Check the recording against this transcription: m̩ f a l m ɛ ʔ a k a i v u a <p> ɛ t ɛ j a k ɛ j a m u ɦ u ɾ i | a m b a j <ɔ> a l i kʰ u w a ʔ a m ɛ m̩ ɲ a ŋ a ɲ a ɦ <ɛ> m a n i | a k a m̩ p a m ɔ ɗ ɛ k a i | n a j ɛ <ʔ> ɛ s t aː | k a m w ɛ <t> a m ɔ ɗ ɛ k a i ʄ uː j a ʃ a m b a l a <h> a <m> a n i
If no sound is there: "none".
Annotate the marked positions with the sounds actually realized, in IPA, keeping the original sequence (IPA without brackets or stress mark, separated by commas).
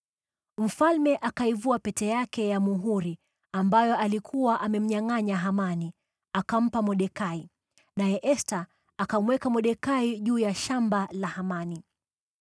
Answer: p, ɔ, a, ʔ, k, h, m